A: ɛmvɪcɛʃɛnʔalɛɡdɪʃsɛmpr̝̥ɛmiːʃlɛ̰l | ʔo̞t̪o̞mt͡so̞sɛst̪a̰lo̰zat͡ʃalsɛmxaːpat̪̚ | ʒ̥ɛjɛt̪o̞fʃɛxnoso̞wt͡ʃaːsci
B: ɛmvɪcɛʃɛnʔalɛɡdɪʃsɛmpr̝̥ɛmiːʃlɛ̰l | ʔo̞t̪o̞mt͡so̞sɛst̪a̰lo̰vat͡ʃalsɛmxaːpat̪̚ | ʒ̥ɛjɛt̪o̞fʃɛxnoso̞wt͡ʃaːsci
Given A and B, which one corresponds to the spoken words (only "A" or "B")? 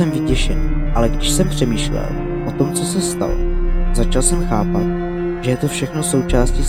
A